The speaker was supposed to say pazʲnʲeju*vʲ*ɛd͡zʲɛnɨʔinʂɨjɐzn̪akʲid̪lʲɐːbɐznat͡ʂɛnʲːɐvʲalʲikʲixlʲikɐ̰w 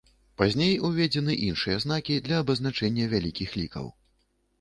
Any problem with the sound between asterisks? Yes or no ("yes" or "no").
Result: no